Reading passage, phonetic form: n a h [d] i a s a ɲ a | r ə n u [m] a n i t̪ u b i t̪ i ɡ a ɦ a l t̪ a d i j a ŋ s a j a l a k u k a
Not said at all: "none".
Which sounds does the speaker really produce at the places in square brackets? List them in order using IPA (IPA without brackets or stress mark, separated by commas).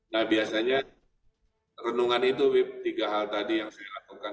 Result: b, ŋ